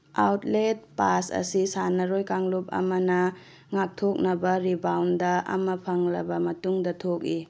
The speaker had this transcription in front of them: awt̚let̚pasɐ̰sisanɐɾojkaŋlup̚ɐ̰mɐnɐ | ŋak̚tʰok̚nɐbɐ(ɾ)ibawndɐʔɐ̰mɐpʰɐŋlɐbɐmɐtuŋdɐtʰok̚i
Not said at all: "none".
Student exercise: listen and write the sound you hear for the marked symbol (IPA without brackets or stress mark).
ɾ